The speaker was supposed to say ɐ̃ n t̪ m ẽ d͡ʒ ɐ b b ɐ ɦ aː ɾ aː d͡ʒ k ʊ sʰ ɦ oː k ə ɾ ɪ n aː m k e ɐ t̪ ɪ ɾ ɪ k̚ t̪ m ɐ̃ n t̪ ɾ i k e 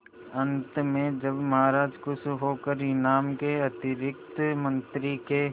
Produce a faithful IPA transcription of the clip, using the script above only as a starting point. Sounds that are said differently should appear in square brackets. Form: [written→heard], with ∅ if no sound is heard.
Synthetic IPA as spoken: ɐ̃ n t̪ m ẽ d͡ʒ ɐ b [b→m] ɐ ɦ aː ɾ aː d͡ʒ k ʊ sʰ ɦ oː k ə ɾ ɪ n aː m k e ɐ t̪ ɪ ɾ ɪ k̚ t̪ m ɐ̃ n t̪ ɾ i k e